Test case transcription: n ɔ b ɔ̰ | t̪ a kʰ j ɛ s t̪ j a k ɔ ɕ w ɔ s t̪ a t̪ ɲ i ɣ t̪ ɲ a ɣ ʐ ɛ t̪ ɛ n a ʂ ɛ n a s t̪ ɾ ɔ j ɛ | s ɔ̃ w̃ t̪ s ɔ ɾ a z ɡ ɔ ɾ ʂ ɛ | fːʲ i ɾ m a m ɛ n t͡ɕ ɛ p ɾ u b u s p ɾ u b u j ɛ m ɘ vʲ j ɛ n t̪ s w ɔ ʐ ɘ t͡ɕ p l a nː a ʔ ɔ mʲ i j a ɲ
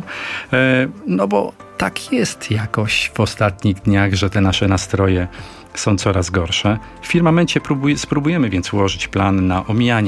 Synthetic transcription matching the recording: n ɔ b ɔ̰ | t̪ a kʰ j ɛ s t̪ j a k ɔ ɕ v ɔ s t̪ a t̪ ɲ i ɣ d̪ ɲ a ɣ ʐ ɛ t̪ ɛ n a ʂ ɛ n a s t̪ ɾ ɔ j ɛ | s ɔ̃ w̃ t̪ s ɔ ɾ a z ɡ ɔ ɾ ʂ ɛ | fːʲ i ɾ m a m ɛ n t͡ɕ ɛ p ɾ u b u s p ɾ u b u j ɛ m ɘ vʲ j ɛ n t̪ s w ɔ ʐ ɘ t͡ɕ p l a nː a ʔ ɔ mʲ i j a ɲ